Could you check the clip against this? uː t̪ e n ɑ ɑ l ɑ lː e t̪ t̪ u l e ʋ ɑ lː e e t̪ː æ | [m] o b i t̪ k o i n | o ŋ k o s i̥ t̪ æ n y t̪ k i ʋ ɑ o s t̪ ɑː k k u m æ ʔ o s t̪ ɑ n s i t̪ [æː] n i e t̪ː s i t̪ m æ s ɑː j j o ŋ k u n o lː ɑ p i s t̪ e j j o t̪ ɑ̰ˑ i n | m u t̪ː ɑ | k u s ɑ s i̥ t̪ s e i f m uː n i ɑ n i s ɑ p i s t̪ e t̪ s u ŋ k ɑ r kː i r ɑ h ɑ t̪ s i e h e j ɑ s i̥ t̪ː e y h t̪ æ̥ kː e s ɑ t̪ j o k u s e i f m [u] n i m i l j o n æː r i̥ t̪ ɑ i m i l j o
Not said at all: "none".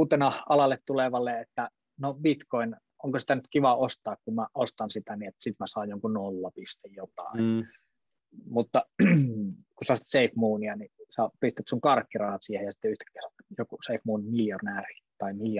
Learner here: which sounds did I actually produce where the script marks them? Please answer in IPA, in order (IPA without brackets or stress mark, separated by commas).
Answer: n, æ, uː